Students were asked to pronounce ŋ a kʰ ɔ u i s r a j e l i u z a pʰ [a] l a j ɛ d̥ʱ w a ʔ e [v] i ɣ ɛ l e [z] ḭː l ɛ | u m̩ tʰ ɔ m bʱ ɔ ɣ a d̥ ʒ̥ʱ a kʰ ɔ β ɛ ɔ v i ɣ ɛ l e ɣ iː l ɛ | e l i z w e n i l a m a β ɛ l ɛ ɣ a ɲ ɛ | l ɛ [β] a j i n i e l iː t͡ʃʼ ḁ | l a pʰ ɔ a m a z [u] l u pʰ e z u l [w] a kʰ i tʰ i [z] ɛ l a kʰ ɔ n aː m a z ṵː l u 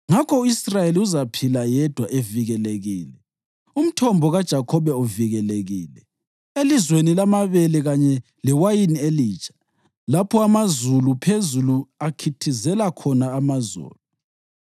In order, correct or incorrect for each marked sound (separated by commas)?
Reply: incorrect, correct, incorrect, incorrect, correct, incorrect, correct